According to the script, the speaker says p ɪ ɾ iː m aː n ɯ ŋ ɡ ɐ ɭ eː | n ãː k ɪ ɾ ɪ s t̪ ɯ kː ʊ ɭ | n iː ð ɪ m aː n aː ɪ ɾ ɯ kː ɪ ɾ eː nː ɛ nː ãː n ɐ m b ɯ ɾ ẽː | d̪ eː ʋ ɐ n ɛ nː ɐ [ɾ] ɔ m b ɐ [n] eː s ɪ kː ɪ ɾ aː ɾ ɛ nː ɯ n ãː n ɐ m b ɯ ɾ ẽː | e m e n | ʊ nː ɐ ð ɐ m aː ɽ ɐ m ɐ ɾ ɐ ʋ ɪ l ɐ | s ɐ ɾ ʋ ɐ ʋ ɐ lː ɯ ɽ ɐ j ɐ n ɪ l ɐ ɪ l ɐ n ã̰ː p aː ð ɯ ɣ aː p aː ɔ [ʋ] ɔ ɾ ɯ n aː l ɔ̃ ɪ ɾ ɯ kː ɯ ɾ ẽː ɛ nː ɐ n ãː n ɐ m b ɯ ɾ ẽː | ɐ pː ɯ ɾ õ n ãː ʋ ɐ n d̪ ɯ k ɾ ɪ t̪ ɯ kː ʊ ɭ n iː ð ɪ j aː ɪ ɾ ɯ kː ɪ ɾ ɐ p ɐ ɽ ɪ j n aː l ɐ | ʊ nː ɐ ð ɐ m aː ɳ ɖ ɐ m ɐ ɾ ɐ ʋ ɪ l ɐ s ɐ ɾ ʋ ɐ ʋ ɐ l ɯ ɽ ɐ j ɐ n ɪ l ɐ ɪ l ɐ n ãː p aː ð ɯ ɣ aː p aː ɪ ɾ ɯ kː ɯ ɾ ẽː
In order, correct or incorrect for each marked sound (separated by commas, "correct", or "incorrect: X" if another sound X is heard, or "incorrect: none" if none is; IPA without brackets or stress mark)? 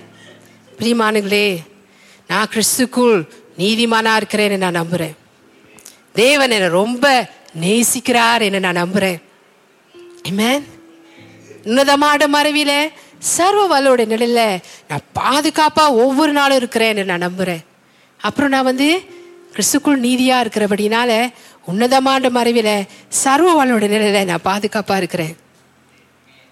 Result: correct, correct, incorrect: ʋː